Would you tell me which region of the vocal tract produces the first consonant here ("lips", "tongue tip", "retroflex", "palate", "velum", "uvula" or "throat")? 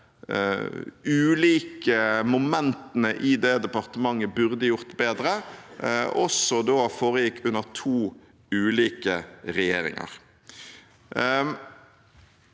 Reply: tongue tip